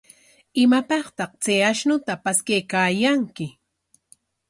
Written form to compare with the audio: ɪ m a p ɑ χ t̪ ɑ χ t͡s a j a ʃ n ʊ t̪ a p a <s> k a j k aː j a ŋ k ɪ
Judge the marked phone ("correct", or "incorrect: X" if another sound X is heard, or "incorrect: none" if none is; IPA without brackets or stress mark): correct